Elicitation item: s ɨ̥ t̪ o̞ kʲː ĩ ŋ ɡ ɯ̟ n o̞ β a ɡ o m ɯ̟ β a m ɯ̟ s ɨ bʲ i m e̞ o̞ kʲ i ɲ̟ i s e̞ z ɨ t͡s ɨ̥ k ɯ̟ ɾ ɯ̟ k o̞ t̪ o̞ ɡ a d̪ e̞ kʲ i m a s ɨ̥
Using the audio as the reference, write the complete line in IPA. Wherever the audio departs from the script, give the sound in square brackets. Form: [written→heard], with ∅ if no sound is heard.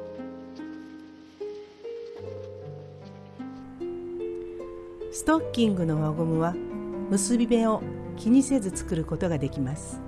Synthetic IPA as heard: s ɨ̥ t̪ o̞ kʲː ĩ ŋ ɡ ɯ̟ n o̞ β a ɡ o m ɯ̟ β a m ɯ̟ s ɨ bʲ i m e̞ o̞ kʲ i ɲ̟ i s e̞ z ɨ t͡s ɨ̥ k ɯ̟ ɾ ɯ̟ k o̞ t̪ o̞ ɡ a d̪ e̞ kʲ i m a s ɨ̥